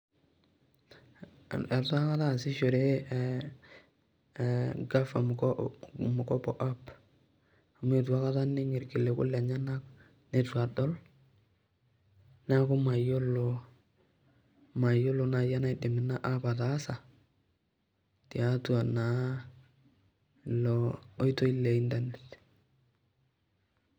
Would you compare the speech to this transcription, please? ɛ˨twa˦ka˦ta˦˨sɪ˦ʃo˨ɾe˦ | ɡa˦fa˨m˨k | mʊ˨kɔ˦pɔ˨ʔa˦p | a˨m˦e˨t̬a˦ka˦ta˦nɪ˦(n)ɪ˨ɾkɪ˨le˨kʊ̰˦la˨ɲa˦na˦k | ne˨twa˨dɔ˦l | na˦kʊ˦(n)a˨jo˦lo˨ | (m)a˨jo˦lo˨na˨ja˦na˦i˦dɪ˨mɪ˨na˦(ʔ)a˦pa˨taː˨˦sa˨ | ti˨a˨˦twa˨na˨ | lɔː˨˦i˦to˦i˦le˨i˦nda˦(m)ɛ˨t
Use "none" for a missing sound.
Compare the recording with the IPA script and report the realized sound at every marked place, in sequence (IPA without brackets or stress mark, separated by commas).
ŋ, m, m, ʔ, n